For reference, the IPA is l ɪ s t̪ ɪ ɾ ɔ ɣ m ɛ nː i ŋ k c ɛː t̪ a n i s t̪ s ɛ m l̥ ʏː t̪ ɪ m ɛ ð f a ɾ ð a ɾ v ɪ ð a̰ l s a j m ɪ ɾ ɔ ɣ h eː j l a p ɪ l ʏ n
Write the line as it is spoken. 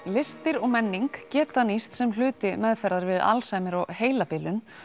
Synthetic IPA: l ɪ s t̪ ɪ ɾ ɔ ɣ m ɛ nː i ŋ k c ɛː t̪ a n i s t̪ s ɛ m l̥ ʏː t̪ ɪ m ɛ ð f ɛ ɾ ð a ɾ v ɪ ð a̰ l s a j m ɪ ɾ ɔ ɣ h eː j l a p ɪ l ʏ n